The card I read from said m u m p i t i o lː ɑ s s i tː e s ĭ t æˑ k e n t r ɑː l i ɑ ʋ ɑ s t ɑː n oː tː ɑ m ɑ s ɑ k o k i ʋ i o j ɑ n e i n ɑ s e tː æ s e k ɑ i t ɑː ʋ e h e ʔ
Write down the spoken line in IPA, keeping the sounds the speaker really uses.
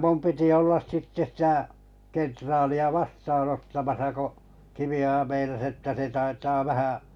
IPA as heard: m u m p i t i o lː ɑ s s i tː e s ĭ t æˑ k e n t r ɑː l i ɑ ʋ ɑ s t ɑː n o tː ɑ m ɑ s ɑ k o k i ʋ i o j ɑ m e i n ɑ s e tː æ s e t ɑ i t ɑː ʋ æ h æ ʔ

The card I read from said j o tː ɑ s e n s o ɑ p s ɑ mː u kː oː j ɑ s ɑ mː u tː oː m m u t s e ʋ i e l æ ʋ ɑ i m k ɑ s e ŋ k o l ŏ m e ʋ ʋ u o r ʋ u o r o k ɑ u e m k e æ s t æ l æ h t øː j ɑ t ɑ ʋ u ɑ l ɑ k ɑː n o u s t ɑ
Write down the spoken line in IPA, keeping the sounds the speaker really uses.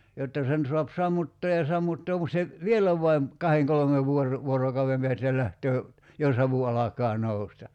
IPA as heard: j o tː ɑ s e n s o ɑ p s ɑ mː u tː oː j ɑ s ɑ mː u tː oː m m u t s e ʋ i e l æ ʋ ɑ i m k ɑ h e ŋ k o l ŏ m e ʋ ʋ u o r ʋ u o r o k ɑ u e m p e æ s t æ l æ h t øː j ɑ s ɑ ʋ u ɑ l ɑ k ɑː n o u s t ɑ

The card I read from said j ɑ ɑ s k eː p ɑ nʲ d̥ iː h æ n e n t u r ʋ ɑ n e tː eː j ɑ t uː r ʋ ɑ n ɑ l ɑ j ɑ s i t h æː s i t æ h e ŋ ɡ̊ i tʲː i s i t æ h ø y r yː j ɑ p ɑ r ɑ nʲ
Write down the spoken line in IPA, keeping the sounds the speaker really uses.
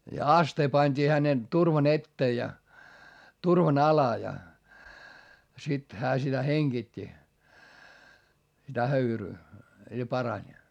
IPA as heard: j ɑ ɑ s t eː p ɑ nʲ d̥ iː h æ n e n t u r ʋ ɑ n e tː eː j ɑ t u r ʋ ɑ n ɑ l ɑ j ɑ s i t h æː s i t æ h e ŋ ɡ̊ i tʲː i s i t æ h ø y r yː j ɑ p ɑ r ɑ nʲ

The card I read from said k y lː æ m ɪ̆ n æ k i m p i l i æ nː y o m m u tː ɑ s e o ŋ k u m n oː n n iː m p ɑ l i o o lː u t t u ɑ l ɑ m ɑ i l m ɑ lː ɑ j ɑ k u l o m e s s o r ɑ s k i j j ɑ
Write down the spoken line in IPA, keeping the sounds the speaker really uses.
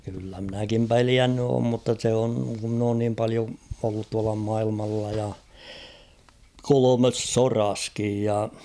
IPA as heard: k y lː æ m ɪ̆ n æ k i m p e l i æ nː y oː m m u tː ɑ s e o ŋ k u m n oː n n iː m p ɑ l i o o lː u t t u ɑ l ɑ m ɑ i l m ɑ lː ɑ j ɑ k o l o m e s s o r ɑ s k i j j ɑ

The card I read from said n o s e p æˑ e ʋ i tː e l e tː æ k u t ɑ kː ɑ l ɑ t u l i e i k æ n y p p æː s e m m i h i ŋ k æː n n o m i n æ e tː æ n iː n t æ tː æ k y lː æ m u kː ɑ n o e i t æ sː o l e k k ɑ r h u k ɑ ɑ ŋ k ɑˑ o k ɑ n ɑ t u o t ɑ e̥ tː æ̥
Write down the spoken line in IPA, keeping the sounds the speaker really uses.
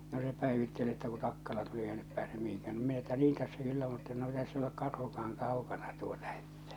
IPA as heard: n o s e p æˑ e ʋ i tː e l e tː æ k u t ɑ kː ɑ l ɑ t u l i e i k æ n y p p æː s e m m i h i ŋ k æː n n o m i n æ e tː æ n iː n t æ sː æ k y lː æ m u tː ɑ n o e i t æ sː o l e k k ɑ r h u k ɑ ɑ ŋ k ɑˑ u k ɑ n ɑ t u o t ɑ e̥ tː æ̥

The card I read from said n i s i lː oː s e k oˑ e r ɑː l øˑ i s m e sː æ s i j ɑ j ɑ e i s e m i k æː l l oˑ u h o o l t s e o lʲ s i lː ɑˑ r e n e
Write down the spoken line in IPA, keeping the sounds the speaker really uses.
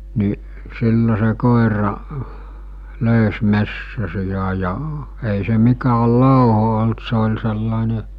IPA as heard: n i s i lː o s e k oˑ e r ɑ l øˑ y s m e sː æ s i j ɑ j ɑ e i s e m i k æː l l oˑ u h o o l t s e o lʲ s e lː ɑˑ e n e

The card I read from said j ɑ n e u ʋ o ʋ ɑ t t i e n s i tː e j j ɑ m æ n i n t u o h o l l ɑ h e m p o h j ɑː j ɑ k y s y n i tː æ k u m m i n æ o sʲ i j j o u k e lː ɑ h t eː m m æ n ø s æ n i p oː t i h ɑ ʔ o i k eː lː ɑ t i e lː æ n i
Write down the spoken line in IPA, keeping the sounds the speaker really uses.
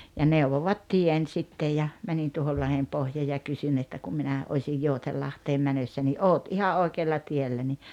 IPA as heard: j ɑ n e u ʋ o ʋ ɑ t t i e n s i tː e j j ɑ m æ n i n t u o h o l l ɑ h e m p o h j ɑː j ɑ k y s y n e tː æ k u m m i n æ o sʲ i j j o u t e lː ɑ h t eː m m æ n ø sː æ n i ʔ oː t i h ɑ ʔ o i k eː lː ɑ t i e lː æ n i

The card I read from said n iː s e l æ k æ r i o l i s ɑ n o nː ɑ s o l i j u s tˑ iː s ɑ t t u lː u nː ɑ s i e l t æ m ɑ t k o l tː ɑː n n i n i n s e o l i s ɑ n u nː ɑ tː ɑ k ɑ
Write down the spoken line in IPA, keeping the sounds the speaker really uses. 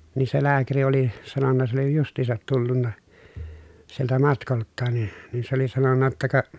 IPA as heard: n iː s e l æː k æ r i o l i s ɑ n o nː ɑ s o l i j u s tˑ iː s ɑ t t u lː u nː ɑ s i e l t æ m ɑ t k o l tː ɑː n n i n i n s e o l i s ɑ n o nː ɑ tː ɑ k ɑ

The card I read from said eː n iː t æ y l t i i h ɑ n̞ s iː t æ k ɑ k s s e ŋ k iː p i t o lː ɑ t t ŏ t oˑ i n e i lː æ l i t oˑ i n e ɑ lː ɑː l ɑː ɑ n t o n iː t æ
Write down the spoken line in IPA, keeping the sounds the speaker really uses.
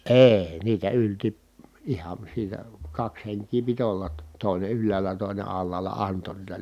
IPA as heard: eː n iː t æ y l t i i h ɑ n̞ s iː t æ k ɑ k s h e ŋ k iː p i t o lː ɑ t t ŏ t oˑ i n e y lː æː l æ t oˑ i n e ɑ lː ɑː l ɑ ɑ n t o n iː t æ

